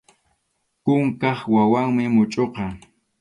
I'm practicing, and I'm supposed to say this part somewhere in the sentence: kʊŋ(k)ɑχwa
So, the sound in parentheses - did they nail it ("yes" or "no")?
yes